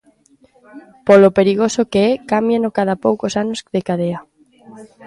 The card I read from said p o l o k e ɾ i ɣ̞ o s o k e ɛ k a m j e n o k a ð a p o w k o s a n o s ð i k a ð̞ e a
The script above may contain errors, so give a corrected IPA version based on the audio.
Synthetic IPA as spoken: p o l o p e ɾ i ɣ̞ o s o k e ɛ k a m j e n o k a ð a p o w k o s a n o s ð e k a ð̞ e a

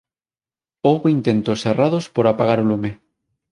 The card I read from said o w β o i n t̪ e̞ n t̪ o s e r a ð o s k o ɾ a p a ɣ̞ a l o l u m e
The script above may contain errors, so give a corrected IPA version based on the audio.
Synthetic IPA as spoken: o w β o i n t̪ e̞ n t̪ o s e r a ð o s p o ɾ a p a ɣ̞ a ɾ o l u m e

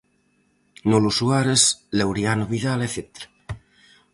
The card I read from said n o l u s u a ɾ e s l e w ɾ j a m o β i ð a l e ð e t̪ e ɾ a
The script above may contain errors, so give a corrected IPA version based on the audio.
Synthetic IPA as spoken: n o l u s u a ɾ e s l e w ɾ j a n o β i ð a l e θ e t̪ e ɾ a

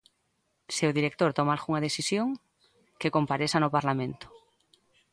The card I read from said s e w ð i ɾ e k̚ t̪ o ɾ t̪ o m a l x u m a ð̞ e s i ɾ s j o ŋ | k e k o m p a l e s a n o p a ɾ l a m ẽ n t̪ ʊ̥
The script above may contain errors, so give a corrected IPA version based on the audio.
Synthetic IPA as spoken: s e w ð i ɾ e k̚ t̪ o ɾ t̪ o m a l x u ŋ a ð̞ e s i s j o ŋ | k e k o m p a ɾ e s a n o p a ɾ l a m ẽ n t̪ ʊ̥

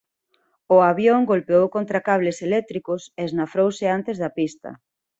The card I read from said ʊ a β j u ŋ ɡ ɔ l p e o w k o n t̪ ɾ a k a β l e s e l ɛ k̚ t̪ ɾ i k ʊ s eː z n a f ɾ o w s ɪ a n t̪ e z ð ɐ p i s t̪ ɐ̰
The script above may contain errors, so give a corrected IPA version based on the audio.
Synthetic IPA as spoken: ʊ a β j o ŋ ɡ o l p e o w k o n t̪ ɾ a k a β l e s e l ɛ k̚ t̪ ɾ i k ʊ s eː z n a f ɾ o w s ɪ a n t̪ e z ð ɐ p i s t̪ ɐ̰

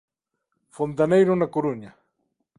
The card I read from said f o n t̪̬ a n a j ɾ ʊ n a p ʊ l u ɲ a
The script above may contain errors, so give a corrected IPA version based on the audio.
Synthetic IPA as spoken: f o n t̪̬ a n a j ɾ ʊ n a k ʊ ɾ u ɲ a

